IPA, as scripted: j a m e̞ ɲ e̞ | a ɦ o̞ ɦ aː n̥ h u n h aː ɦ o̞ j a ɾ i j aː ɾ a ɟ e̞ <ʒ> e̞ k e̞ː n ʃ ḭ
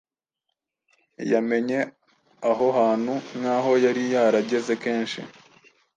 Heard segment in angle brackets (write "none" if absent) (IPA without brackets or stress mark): z